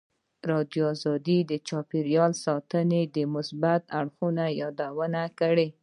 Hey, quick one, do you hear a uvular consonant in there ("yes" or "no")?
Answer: no